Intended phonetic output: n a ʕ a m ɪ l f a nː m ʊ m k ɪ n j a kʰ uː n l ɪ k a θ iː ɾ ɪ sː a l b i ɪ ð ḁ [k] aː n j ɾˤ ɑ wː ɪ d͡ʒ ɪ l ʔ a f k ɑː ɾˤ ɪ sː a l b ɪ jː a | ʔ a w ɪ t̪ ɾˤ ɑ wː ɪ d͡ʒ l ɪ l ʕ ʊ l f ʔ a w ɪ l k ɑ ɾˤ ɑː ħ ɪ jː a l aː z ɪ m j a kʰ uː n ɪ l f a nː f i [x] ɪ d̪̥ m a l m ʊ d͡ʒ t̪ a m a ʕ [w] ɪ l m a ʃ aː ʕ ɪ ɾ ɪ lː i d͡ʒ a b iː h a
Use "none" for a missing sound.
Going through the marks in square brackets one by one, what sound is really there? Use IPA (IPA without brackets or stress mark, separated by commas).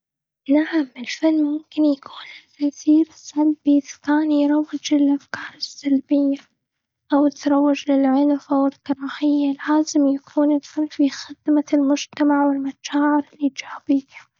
k, x, w